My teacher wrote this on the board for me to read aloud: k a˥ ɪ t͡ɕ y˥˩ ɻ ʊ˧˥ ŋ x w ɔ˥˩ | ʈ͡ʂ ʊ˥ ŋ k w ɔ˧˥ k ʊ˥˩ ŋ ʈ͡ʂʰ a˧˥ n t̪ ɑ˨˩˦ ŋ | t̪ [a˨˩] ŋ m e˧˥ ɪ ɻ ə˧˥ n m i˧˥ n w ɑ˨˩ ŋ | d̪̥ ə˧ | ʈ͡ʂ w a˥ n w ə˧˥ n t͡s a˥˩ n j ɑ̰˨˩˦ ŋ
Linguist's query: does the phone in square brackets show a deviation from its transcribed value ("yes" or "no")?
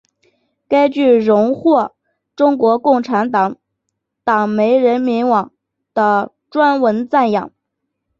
yes